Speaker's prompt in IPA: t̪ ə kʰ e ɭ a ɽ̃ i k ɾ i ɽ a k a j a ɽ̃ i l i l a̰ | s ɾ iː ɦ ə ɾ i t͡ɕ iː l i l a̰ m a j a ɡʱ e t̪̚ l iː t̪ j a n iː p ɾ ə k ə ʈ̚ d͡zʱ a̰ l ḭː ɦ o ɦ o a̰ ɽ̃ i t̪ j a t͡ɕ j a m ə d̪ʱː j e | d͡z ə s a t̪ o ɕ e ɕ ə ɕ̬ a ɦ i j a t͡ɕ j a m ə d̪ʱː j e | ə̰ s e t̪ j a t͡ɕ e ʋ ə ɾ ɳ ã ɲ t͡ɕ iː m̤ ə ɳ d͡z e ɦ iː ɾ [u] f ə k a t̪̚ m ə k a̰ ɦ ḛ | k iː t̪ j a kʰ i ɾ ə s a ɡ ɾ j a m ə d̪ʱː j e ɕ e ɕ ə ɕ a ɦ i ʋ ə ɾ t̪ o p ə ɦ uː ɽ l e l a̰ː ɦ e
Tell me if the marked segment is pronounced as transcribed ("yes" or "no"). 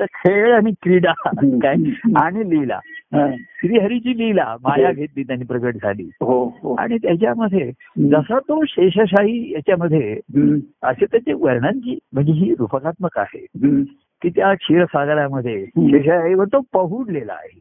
yes